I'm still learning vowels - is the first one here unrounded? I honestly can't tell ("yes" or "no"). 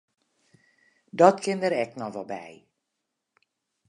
no